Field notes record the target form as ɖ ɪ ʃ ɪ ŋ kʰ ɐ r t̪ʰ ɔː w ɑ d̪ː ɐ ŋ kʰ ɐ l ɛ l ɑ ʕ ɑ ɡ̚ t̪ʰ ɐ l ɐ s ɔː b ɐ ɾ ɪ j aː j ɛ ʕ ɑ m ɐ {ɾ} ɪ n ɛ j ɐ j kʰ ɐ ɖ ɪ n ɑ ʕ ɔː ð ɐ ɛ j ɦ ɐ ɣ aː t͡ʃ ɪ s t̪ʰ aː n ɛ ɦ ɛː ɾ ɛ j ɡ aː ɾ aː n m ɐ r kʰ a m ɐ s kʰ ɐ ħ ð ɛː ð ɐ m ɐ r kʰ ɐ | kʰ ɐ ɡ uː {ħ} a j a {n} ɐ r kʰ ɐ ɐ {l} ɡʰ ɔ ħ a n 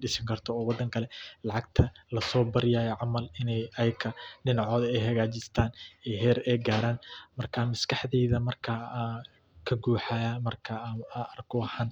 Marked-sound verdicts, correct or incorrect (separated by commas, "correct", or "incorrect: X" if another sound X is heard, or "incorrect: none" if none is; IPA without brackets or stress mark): incorrect: l, correct, incorrect: m, incorrect: r